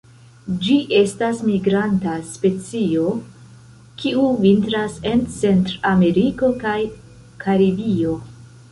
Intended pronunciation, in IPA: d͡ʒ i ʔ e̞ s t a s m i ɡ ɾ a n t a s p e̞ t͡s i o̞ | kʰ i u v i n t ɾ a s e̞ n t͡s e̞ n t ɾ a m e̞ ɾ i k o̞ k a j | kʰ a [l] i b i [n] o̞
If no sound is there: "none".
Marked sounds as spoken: ɾ, none

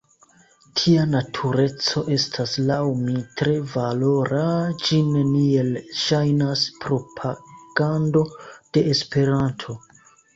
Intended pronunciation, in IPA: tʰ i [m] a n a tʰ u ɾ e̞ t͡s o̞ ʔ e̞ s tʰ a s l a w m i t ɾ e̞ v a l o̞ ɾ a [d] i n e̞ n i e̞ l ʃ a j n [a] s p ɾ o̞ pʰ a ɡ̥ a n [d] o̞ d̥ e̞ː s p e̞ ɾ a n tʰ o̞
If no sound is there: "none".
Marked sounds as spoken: none, d͡ʒ, a, d

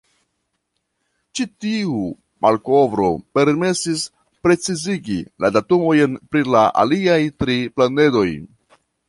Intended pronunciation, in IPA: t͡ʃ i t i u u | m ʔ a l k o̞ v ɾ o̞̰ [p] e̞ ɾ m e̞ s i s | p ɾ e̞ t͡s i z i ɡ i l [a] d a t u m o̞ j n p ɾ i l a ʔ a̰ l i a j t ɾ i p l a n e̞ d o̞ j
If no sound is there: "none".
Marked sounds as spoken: p, a

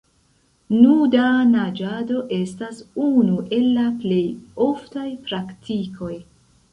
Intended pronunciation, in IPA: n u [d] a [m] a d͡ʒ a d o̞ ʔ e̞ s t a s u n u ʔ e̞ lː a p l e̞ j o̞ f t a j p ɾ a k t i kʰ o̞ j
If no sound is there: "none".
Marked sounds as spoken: d, n

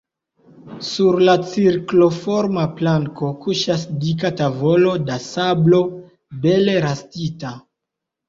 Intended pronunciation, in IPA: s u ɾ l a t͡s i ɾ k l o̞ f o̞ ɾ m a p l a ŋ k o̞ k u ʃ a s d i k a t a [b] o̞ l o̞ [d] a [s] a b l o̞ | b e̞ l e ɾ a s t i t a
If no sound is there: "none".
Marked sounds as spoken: v, d, s

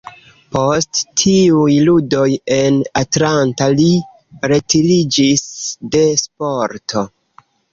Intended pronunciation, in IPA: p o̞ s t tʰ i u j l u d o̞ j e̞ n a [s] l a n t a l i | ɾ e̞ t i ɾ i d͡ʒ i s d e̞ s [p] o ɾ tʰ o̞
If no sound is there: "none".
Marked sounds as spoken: t, p

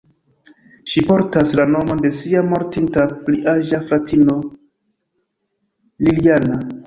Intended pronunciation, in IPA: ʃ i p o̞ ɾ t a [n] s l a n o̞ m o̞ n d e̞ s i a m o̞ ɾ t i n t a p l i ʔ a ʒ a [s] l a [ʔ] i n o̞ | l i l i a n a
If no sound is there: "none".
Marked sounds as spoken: none, f, t

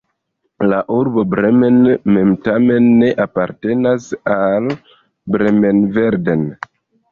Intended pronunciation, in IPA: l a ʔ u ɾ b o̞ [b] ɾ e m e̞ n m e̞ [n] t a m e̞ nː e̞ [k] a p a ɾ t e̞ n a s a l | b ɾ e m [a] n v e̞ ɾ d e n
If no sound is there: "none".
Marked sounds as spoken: b, m, ʔ, e

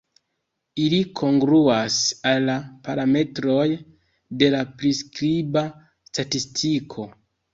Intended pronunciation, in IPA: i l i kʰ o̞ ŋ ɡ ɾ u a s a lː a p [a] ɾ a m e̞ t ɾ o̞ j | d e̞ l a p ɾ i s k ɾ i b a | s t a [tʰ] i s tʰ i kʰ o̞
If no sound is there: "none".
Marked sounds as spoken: a, t

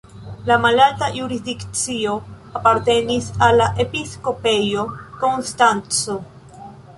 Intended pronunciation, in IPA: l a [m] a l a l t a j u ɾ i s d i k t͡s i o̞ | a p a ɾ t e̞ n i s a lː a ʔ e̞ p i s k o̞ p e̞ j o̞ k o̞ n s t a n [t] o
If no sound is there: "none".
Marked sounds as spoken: m, t͡s

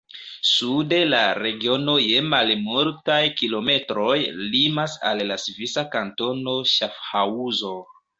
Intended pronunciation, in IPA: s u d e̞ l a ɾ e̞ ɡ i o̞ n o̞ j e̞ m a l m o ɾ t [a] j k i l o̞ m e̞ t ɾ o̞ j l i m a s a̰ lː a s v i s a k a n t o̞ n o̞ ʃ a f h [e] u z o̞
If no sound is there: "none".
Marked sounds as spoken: a, a

